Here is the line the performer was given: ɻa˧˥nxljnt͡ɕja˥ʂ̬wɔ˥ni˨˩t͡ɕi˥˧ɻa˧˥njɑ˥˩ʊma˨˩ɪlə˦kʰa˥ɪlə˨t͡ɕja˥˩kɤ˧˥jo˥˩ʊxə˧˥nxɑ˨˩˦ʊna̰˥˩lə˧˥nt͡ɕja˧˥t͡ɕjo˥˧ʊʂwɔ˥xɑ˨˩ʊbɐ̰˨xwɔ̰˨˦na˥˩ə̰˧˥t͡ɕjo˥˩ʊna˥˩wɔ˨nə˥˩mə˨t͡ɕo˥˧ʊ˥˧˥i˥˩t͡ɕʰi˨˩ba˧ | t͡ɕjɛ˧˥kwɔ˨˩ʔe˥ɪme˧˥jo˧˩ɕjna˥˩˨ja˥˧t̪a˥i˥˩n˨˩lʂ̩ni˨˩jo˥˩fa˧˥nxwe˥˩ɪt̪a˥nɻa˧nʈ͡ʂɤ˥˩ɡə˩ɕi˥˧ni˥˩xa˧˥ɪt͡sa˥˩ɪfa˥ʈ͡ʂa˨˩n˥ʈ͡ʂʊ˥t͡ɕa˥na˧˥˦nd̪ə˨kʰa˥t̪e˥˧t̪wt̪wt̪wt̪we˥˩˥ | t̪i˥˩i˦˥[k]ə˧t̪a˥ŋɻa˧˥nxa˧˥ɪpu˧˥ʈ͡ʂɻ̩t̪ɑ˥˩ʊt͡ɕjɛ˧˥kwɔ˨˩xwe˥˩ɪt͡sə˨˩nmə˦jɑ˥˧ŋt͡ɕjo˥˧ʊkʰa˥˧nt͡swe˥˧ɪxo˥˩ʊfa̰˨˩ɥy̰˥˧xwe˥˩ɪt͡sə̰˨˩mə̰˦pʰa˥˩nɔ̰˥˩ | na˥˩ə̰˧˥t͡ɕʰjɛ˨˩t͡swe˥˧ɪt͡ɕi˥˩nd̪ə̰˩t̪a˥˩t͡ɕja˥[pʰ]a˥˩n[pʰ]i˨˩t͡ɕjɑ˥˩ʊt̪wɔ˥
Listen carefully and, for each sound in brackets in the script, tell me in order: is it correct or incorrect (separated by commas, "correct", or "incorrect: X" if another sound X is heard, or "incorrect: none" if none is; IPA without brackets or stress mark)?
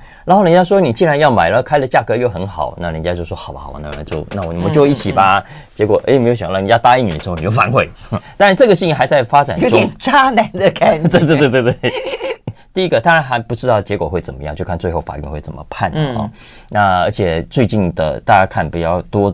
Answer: incorrect: ɡ, incorrect: kʰ, incorrect: p